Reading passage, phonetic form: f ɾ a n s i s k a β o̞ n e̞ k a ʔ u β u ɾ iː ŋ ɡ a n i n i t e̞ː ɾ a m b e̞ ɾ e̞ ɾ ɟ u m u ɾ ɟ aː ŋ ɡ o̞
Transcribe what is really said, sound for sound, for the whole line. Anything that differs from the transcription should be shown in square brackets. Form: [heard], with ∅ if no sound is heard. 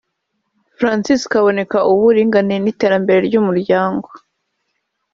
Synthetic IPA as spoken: f ɾ a n s i s k a β o̞ n e̞ k a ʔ u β u ɾ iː ŋ ɡ a n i n i t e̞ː ɾ a m b e̞ ɾ e̞ ɾ ɟ u m u ɾ ɟ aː ŋ ɡ o̞